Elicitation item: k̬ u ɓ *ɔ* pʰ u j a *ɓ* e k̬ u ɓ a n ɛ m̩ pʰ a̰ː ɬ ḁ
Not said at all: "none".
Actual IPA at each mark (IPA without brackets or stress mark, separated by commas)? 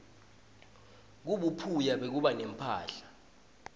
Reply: u, ɓ